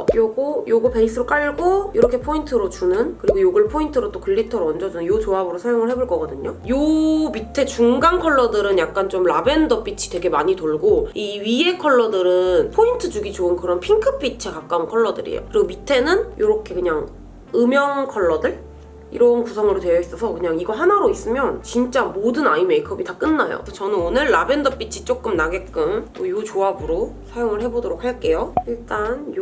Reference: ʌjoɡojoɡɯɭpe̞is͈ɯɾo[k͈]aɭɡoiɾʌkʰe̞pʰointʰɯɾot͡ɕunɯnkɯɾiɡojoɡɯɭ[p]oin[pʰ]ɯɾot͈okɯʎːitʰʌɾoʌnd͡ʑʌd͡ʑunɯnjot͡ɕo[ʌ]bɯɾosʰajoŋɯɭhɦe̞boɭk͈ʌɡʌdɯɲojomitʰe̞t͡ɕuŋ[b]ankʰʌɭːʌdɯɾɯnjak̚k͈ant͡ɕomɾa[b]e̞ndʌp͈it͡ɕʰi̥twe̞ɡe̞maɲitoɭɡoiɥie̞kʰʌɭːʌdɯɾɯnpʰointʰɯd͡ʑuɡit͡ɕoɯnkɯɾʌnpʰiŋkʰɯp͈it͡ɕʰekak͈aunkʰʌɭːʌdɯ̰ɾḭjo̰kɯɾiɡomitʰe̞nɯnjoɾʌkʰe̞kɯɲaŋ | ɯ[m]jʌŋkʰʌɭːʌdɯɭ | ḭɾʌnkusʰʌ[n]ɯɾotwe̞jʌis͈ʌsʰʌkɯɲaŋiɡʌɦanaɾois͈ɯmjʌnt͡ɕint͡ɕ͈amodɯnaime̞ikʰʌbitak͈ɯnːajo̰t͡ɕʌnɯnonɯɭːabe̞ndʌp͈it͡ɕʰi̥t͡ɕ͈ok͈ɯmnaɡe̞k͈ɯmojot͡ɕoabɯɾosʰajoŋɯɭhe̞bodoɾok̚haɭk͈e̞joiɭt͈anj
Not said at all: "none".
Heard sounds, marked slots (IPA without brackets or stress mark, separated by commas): k͈, pʰ, tʰ, a, ɡ, b, m, ŋ